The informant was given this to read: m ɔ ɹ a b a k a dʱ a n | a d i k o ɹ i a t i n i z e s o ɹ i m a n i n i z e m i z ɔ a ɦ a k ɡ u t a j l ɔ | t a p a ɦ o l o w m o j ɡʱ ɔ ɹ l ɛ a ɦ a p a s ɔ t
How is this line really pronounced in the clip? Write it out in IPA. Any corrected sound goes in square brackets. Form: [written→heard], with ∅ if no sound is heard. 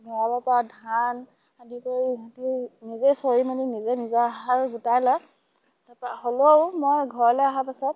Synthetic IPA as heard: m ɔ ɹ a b a [k→p] a dʱ a n | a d i k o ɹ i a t i n i z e s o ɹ i m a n i n i z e [m→n] i z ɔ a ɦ a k ɡ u t a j l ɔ | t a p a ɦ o l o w m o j ɡʱ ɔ ɹ l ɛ a ɦ a p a s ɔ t